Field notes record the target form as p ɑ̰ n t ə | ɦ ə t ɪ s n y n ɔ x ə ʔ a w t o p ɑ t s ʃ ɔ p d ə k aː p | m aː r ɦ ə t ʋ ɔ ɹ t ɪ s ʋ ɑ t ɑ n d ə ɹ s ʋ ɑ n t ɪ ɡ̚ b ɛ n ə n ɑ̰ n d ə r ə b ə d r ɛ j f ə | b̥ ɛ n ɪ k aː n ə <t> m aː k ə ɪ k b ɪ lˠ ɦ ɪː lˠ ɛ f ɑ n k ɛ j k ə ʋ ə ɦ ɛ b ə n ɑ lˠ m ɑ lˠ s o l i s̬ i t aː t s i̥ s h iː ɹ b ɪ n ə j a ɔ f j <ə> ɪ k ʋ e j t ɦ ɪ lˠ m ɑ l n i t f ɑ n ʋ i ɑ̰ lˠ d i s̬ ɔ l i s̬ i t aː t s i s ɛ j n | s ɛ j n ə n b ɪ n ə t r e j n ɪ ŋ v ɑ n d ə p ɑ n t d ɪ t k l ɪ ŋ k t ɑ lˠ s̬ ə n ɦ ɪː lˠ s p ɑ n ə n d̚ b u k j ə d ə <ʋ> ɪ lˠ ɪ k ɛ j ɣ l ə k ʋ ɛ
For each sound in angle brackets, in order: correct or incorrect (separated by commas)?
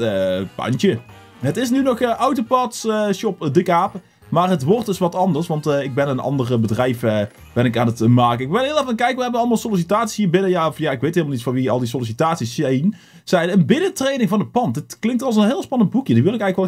correct, incorrect, correct